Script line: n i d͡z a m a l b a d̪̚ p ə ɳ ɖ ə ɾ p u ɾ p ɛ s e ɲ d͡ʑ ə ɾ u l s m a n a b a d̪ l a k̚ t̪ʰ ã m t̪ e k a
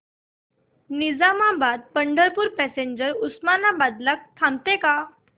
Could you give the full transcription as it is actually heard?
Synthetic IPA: n i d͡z a m a b a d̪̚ p ə ɳ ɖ ə ɾ p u ɾ p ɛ s e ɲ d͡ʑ ə ɾ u s m a n a b a d̪ l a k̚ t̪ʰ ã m t̪ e k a